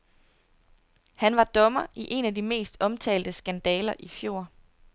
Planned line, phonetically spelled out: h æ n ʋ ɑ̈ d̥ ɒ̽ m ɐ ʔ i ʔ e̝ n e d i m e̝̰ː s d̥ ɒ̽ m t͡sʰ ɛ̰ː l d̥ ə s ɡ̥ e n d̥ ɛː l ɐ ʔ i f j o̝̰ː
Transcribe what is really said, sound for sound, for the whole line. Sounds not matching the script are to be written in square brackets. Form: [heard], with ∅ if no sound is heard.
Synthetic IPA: h æ n ʋ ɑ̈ d̥ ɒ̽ m ɐ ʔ i ʔ e̝ n [æ] d i m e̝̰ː s d̥ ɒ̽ m t͡sʰ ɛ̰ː l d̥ ə s ɡ̥ [æ] n d̥ ɛː l ɐ ʔ i f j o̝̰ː